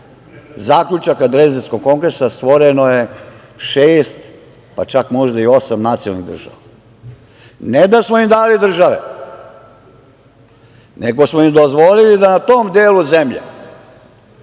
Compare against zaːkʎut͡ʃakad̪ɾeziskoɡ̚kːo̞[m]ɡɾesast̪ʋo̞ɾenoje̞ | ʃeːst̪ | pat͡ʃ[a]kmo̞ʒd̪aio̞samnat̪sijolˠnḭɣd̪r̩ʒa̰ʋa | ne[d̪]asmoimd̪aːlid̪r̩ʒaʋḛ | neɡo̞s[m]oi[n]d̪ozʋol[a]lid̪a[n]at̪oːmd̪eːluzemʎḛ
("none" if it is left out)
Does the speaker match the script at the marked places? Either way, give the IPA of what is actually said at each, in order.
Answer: ŋ, a, d̪, m, m, i, n

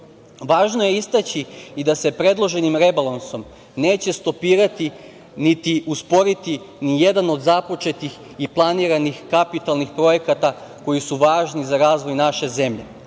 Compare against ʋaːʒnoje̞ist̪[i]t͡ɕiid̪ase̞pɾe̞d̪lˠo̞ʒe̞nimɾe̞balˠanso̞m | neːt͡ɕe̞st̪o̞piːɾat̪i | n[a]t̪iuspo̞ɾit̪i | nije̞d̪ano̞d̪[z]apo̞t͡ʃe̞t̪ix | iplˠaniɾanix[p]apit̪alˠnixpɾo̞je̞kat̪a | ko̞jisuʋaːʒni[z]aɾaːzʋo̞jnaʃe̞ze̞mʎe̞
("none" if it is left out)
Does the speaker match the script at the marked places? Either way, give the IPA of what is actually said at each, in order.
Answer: a, i, z, k, z

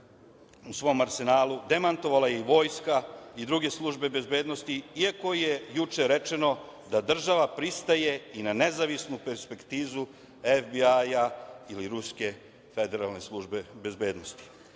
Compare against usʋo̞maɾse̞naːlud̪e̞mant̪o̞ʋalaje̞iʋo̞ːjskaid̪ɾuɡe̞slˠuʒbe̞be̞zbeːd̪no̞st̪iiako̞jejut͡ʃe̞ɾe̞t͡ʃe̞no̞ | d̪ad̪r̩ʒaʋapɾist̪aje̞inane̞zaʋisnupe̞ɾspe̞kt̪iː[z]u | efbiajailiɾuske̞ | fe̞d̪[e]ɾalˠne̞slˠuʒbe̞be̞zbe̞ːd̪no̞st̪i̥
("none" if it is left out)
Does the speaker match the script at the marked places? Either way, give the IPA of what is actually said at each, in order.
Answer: z, e

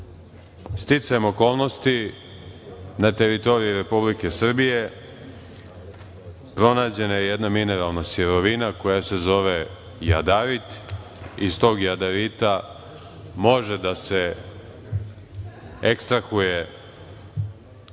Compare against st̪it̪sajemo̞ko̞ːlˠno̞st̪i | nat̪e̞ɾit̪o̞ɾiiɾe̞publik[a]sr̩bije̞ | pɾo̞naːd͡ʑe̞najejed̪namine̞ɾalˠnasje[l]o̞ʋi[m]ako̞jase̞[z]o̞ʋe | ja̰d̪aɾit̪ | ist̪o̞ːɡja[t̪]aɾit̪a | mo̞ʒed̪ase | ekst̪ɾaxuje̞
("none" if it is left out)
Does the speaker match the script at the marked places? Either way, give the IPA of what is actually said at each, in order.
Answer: e, ɾ, n, z, d̪

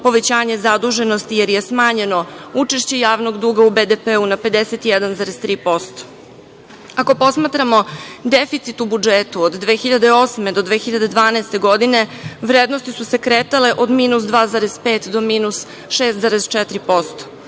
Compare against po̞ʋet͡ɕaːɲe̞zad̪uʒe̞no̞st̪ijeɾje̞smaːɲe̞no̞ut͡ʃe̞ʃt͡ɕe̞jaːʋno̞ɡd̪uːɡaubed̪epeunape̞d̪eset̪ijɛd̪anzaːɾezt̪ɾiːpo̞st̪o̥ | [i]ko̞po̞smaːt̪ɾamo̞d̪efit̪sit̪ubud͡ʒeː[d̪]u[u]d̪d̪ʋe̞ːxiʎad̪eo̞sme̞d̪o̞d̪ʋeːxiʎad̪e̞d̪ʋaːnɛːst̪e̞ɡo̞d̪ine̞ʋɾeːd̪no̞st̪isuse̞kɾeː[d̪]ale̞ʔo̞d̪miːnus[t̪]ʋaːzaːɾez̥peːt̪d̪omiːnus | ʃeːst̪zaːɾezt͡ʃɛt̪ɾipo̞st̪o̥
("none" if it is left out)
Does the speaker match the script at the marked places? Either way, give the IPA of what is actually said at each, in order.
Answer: a, t̪, o, t̪, d̪

